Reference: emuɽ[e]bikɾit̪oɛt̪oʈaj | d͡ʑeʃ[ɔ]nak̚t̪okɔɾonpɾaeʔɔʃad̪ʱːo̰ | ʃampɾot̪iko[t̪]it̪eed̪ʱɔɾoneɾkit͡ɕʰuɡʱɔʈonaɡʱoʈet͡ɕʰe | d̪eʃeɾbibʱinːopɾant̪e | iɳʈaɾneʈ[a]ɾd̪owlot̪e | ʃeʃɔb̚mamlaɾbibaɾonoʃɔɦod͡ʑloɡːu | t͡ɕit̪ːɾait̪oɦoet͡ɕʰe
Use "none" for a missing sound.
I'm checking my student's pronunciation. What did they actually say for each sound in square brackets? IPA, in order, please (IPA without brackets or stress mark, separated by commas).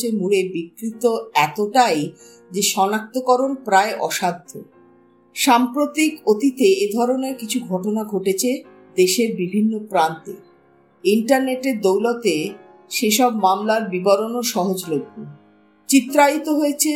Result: e, ɔ, t̪, e